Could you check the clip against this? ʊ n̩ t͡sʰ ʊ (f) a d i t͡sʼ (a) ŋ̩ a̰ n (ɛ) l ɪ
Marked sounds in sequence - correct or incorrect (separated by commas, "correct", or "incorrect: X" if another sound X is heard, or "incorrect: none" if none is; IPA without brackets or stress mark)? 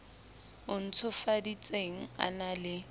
correct, incorrect: e, incorrect: a